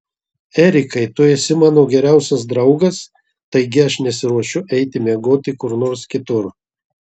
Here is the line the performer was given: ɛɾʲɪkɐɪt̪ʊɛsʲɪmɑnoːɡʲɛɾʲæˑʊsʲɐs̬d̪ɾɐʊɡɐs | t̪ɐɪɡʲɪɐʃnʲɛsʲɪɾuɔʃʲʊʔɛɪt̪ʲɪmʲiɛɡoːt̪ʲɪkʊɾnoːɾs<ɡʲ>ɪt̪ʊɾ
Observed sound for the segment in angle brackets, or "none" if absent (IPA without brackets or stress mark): kʲ